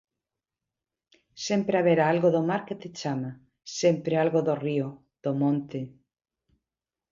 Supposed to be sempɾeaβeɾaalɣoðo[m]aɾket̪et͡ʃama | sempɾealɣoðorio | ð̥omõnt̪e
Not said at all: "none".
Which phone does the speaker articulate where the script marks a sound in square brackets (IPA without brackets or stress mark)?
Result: m